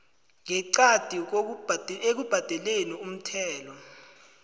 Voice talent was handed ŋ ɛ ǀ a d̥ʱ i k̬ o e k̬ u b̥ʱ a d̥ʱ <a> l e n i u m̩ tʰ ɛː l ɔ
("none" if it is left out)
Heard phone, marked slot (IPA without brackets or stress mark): ɛ